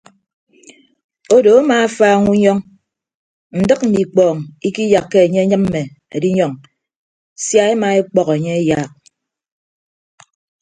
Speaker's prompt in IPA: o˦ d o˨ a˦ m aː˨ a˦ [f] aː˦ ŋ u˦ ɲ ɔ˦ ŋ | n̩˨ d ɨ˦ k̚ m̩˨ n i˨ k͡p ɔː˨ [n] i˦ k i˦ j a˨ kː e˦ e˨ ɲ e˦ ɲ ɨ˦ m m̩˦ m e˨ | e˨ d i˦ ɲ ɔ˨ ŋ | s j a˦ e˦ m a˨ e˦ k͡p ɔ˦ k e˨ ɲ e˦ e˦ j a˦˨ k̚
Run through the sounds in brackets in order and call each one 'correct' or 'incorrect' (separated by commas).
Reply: correct, incorrect